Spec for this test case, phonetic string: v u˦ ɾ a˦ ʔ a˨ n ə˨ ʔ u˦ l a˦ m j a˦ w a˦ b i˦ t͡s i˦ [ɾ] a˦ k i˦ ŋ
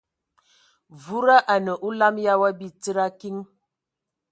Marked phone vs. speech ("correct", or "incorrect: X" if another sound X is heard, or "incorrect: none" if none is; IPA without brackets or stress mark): correct